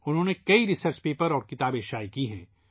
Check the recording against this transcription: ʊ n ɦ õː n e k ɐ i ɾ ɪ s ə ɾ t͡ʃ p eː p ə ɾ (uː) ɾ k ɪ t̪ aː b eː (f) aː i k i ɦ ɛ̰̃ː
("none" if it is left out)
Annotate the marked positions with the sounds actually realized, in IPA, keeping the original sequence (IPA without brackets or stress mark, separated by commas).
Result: ɔː, ʃ